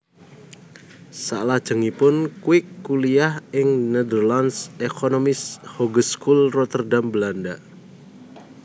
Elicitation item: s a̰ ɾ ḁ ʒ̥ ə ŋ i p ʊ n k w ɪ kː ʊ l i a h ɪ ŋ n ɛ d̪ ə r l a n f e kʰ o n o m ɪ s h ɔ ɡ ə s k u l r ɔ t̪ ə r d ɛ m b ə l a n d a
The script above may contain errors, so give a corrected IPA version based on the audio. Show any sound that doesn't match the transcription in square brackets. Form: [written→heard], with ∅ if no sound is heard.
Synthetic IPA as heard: s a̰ [ɾ→l] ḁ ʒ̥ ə ŋ i p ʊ n k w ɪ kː [ʊ→u] l i a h ɪ ŋ n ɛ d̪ ə r l a n [f→s] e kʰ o n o m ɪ s h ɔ ɡ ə s k u l r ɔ t̪ ə r d [ɛ→a] m b ə l a n d a